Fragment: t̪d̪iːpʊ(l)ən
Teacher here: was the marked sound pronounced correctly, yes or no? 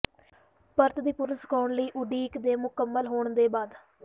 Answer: no